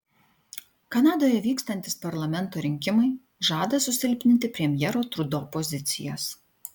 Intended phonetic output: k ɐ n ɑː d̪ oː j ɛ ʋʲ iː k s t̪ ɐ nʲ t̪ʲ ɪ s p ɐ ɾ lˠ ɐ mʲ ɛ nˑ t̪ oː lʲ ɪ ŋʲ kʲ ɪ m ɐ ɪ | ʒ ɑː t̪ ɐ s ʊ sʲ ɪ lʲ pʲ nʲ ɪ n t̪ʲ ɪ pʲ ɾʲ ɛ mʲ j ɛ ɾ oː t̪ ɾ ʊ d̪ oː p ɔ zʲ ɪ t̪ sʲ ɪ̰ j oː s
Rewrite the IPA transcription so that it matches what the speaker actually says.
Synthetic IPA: k ɐ n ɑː d̪ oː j ɛ ʋʲ iː k s t̪ ɐ nʲ t̪ʲ ɪ s p ɐ ɾ lˠ ɐ mʲ ɛ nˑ t̪ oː ɾʲ ɪ ŋʲ kʲ ɪ m ɐ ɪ | ʒ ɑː d̪ ɐ s ʊ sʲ ɪ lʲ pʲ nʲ ɪ n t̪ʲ ɪ pʲ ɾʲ ɛ mʲ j ɛ ɾ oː t̪ ɾ ʊ d̪ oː p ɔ zʲ ɪ t̪ sʲ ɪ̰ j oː s